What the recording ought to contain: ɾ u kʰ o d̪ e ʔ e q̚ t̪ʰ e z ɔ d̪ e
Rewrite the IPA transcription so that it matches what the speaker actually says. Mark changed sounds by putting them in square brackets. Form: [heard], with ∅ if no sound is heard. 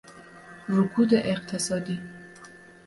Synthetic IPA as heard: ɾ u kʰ [u] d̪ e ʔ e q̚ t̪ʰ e [s] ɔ d̪ [i]